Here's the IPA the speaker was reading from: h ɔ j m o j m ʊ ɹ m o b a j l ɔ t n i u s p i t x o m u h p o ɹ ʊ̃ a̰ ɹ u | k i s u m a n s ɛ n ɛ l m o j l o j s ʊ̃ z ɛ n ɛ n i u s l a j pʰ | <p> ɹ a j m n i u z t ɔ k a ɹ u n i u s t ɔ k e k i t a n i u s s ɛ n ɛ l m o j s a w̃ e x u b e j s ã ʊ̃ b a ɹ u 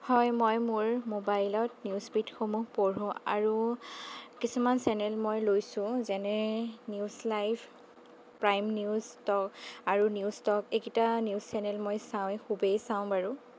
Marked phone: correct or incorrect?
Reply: correct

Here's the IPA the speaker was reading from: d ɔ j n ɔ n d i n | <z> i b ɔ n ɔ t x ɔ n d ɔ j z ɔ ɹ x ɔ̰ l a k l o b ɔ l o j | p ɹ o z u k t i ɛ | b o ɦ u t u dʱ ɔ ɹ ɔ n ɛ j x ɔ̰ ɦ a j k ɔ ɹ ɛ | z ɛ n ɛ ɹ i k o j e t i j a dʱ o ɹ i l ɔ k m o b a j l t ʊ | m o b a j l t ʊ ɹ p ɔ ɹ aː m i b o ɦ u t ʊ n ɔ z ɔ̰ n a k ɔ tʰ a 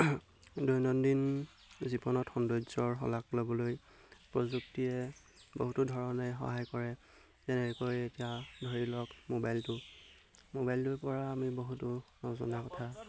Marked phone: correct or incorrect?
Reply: correct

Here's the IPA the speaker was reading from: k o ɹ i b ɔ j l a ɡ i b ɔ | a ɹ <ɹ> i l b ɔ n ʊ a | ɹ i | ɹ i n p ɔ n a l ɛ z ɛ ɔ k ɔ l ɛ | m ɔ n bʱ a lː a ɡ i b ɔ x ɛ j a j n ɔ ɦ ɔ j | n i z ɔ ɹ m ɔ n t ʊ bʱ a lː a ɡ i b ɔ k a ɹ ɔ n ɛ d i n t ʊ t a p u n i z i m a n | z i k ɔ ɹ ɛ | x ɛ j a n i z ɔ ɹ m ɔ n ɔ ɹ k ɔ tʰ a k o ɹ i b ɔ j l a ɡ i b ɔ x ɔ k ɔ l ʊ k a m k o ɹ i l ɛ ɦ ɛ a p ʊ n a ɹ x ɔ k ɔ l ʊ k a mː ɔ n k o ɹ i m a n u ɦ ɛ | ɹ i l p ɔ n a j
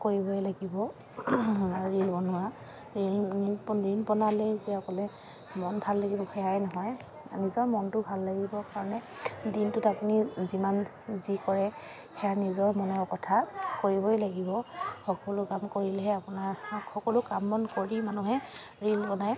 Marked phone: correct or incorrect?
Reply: correct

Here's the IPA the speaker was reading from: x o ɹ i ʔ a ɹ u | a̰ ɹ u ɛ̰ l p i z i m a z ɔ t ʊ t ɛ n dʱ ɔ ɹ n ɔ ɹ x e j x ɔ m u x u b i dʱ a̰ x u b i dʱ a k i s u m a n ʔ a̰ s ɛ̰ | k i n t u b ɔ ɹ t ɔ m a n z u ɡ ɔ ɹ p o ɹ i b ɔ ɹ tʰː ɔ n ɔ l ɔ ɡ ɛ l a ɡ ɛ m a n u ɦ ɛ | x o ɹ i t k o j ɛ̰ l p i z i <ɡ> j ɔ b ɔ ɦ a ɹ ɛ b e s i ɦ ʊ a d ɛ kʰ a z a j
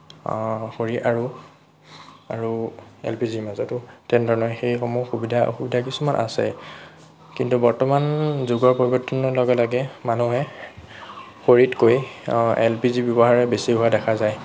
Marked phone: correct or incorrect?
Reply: incorrect: b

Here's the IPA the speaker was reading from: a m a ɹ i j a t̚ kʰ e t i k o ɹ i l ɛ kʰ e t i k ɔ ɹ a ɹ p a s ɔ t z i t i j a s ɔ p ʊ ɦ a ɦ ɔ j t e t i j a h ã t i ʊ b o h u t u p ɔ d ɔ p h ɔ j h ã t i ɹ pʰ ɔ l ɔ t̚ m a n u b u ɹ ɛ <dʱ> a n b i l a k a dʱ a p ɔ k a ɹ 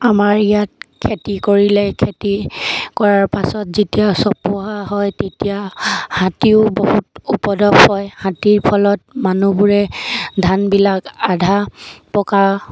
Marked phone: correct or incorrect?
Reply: correct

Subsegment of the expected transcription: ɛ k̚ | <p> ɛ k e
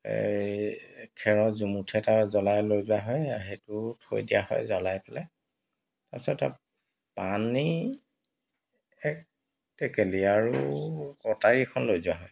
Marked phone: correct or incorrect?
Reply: incorrect: t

